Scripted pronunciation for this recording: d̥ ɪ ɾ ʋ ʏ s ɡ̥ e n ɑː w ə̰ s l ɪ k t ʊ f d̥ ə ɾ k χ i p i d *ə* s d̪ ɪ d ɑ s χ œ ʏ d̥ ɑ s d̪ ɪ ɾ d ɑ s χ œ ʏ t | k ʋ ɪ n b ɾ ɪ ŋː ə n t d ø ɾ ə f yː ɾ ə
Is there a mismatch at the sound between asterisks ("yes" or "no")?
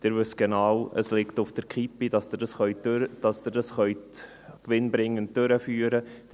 yes